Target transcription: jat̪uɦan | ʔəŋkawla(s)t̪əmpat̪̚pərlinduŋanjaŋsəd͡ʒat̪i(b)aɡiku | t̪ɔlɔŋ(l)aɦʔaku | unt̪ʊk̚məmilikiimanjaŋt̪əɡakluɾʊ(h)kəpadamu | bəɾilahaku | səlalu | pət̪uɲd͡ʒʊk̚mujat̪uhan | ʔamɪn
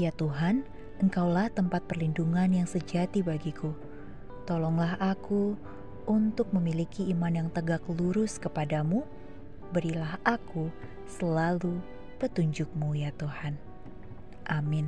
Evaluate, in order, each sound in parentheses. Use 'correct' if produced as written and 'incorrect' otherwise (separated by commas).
incorrect, correct, correct, incorrect